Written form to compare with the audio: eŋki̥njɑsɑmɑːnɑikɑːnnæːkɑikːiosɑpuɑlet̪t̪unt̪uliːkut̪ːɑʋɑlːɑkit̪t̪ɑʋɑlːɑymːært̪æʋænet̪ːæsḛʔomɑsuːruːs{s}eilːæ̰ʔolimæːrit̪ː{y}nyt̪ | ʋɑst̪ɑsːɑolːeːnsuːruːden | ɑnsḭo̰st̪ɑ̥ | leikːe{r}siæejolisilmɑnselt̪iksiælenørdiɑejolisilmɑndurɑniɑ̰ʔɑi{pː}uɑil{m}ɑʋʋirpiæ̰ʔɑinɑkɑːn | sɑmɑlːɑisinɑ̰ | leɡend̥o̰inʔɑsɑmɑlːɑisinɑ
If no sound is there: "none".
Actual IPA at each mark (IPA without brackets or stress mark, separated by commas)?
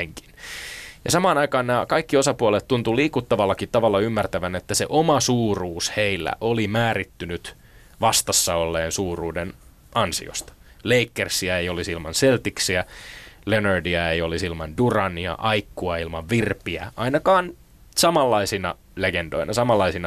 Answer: h, y, r, kː, m